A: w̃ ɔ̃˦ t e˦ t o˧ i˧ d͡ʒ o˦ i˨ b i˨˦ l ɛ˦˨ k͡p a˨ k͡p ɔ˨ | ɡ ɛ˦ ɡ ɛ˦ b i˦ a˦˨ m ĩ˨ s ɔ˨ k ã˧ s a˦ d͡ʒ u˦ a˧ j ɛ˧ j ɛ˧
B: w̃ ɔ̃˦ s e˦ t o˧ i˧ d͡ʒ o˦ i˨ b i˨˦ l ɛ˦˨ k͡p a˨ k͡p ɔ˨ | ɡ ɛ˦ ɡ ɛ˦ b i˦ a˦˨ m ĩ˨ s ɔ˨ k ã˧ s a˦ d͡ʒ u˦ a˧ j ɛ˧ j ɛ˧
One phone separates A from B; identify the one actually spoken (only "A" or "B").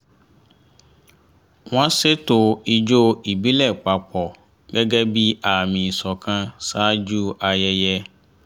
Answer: B